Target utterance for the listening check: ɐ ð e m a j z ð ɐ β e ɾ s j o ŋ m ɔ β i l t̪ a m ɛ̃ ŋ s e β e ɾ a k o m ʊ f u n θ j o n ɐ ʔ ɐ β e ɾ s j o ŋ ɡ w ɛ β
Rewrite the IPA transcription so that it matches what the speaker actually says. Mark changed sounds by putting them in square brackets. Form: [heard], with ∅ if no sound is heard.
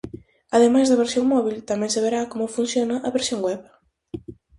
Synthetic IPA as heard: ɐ ð e m a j z ð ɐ β e ɾ s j o ŋ m ɔ β i l t̪ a m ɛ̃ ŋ s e β e ɾ a k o m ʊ f u n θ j o n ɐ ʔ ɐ β e ɾ s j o ŋ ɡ w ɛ β